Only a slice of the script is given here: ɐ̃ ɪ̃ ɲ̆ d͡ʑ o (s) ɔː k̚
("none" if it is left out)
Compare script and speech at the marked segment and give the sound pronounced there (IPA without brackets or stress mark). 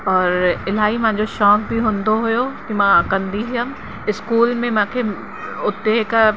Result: ʃ